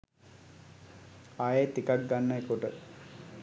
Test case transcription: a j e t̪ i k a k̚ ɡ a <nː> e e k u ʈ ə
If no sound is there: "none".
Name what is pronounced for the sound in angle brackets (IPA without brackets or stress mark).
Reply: nː